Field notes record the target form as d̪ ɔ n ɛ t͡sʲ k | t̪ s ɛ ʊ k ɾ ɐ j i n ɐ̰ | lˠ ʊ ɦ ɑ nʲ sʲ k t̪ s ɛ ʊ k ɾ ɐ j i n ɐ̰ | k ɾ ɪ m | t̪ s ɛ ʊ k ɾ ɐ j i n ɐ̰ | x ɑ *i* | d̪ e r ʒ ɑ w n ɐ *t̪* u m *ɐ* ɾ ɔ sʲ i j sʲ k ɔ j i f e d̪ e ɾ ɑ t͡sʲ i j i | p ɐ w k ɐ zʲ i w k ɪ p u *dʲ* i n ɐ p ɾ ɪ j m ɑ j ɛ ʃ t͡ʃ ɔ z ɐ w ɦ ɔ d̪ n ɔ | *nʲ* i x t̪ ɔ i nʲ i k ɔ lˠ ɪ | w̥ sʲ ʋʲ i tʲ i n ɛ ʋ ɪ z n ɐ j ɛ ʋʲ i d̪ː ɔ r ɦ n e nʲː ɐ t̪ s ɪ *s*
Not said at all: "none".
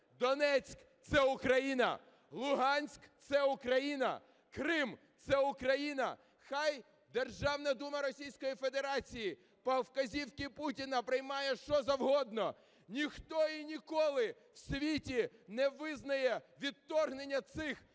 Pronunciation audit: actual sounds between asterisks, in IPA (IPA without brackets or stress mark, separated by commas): j, d̪, ɐ, tʲ, nʲ, x